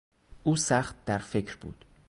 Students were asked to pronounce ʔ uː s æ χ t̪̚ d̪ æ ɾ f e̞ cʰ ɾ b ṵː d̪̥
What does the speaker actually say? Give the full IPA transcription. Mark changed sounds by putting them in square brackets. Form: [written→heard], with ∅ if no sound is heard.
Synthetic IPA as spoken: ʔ uː s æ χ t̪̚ d̪ æ ɾ f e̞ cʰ ɾ b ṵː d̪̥